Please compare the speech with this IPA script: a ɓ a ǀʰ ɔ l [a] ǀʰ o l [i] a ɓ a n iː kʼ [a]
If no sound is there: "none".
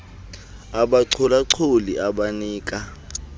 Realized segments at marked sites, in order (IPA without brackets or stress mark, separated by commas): a, i, a